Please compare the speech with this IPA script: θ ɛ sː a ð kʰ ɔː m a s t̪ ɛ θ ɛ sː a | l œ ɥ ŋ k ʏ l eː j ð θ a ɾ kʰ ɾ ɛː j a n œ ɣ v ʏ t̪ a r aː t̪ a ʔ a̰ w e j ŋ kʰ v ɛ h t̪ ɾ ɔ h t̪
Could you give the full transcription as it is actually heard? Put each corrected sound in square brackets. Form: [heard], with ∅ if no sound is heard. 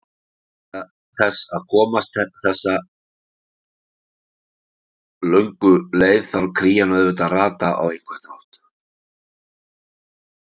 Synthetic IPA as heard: θ ɛ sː a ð kʰ ɔː m a s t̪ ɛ θ ɛ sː a | l œ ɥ ŋ k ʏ l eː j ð θ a ɾ kʰ ɾ [iː] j a n œ [ð] v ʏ t̪ a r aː t̪ a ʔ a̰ w e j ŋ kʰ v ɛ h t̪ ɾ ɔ h t̪